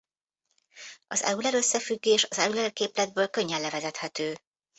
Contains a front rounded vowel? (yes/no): yes